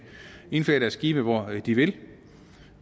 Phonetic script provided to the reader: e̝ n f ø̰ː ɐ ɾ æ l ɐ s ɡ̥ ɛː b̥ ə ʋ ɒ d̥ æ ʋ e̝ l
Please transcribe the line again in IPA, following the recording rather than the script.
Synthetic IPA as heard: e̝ n f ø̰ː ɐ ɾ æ ɐ s ɡ̥ iː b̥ ə ʋ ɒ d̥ i ʋ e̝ l